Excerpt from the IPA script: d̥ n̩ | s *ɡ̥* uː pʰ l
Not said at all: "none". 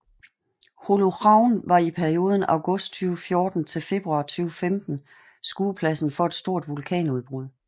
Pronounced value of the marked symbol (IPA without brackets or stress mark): ɡ̥